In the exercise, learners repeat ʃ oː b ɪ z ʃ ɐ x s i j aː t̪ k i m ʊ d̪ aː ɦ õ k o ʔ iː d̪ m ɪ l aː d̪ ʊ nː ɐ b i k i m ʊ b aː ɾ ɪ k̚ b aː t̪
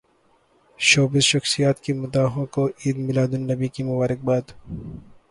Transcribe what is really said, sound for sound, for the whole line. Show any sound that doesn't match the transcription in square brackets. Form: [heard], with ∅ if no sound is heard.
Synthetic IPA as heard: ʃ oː b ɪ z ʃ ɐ x s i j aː t̪ k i m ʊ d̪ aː ɦ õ k o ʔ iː d̪ m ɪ l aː d̪ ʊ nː ɐ b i k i m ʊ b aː ɾ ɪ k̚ b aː [d̪]